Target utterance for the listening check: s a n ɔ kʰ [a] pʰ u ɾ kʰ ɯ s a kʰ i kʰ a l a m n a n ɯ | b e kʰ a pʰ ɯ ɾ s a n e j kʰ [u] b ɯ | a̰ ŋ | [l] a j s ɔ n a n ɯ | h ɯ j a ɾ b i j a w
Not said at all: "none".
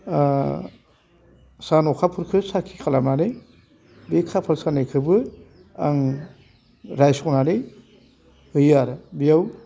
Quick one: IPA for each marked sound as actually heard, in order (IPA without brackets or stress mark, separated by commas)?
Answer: a, ɯ, ɾ